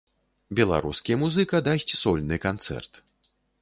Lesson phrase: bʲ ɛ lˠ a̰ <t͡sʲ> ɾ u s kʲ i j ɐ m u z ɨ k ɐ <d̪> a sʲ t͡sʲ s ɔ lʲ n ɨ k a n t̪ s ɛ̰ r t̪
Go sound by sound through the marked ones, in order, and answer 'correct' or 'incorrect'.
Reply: incorrect, correct

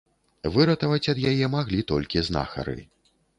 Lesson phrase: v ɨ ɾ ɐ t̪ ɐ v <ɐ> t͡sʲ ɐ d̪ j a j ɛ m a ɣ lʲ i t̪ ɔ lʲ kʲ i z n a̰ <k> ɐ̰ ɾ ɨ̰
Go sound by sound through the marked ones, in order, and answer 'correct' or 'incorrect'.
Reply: correct, incorrect

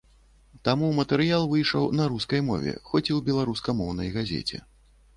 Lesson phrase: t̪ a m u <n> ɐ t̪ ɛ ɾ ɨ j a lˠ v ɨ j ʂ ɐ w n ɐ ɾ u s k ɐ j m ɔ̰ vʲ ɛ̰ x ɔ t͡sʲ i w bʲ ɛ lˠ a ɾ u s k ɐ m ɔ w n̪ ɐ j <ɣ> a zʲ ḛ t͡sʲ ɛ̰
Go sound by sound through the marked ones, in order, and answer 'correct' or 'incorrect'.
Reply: incorrect, correct

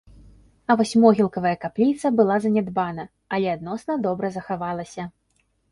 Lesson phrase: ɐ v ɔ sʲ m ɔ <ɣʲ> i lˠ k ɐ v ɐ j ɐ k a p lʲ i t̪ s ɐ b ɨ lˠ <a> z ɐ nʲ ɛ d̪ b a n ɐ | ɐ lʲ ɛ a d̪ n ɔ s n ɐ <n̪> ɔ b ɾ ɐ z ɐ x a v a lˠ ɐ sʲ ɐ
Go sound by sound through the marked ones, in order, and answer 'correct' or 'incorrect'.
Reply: correct, correct, incorrect

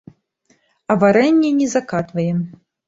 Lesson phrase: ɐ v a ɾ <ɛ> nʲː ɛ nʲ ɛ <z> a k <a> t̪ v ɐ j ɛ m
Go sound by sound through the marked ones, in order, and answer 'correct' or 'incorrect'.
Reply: correct, correct, correct

